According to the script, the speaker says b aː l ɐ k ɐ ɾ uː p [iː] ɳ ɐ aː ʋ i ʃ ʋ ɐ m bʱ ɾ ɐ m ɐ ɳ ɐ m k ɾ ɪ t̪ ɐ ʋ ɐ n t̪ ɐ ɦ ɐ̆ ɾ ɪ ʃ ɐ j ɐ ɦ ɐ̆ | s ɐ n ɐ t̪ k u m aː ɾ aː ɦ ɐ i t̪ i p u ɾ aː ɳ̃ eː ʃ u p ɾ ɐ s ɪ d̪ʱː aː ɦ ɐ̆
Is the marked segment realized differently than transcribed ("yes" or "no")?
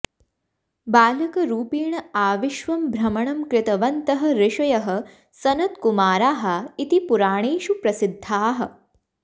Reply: no